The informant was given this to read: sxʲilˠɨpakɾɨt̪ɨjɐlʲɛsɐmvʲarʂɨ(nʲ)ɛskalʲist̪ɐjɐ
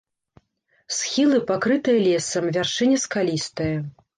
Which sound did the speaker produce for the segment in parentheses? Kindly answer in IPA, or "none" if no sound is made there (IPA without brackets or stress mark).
nʲ